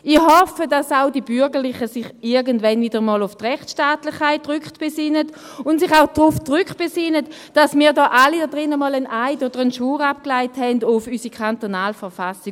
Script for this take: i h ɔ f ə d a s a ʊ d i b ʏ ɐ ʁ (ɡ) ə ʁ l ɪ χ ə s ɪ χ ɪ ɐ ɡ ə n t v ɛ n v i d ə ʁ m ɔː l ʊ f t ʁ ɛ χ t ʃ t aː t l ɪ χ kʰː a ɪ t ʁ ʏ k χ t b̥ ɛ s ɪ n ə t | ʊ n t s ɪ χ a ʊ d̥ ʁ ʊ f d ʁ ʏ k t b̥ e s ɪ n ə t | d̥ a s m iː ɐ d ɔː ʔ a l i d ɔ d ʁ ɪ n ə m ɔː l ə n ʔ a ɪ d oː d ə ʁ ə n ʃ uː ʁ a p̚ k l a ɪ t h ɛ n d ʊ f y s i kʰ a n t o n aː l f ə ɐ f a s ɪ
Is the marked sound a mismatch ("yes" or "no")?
no